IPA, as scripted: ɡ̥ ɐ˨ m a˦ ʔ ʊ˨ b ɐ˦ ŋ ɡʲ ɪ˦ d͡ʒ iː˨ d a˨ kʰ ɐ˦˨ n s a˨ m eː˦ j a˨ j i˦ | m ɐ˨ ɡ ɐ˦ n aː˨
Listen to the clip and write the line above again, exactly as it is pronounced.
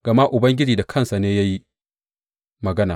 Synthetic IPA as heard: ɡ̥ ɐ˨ m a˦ ʔ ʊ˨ b ɐ˦ ŋ ɡʲ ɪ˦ d͡ʒ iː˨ d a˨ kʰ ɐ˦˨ n s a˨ n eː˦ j a˦ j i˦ | m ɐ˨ ɡ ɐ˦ n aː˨